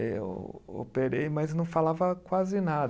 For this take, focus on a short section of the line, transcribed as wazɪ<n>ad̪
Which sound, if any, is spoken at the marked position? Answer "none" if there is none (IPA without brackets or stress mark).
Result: n